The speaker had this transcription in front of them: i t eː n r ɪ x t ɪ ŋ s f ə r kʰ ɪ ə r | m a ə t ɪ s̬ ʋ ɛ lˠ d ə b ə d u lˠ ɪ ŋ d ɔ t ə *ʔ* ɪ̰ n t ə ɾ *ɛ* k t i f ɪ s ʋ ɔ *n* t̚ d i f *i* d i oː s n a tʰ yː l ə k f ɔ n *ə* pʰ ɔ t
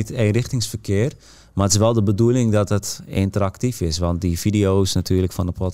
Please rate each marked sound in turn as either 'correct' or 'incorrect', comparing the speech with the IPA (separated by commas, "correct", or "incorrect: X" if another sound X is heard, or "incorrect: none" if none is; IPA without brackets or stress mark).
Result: incorrect: t, incorrect: a, correct, correct, correct